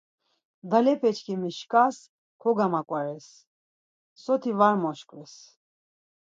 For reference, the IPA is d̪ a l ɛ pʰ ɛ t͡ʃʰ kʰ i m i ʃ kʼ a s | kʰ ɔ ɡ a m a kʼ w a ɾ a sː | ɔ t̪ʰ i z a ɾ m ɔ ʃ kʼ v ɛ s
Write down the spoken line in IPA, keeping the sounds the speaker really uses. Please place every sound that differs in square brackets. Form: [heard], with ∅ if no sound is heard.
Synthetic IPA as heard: d̪ a l ɛ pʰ ɛ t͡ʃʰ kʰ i m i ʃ kʼ a s | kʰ ɔ ɡ a m a kʼ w a ɾ [ɛ] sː | ɔ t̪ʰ i [v] a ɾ m ɔ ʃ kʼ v ɛ s